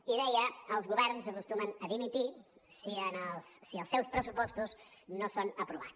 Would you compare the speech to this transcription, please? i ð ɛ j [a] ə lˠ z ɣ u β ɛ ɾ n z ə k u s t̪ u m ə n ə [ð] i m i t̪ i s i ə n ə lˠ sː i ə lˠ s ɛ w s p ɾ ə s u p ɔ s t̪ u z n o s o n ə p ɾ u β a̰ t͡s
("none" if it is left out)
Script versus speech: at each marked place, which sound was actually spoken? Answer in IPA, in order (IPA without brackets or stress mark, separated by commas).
ə, ð